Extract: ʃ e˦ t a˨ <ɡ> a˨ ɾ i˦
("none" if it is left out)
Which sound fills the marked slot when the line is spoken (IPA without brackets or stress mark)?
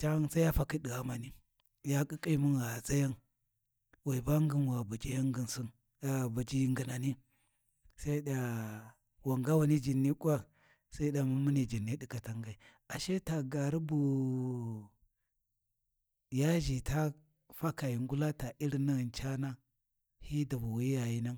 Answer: ɡ